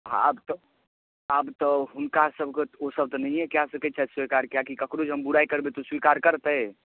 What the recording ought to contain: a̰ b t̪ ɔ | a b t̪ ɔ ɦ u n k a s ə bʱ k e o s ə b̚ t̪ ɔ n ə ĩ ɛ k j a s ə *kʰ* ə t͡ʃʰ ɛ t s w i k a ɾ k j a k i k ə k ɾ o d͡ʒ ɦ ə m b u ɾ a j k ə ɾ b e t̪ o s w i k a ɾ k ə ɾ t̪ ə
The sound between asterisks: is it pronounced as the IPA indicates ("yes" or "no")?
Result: no